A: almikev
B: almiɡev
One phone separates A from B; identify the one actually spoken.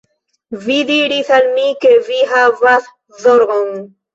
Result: A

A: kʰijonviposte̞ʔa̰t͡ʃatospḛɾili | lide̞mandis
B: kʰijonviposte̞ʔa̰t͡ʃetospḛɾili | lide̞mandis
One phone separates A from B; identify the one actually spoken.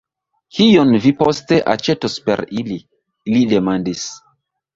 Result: B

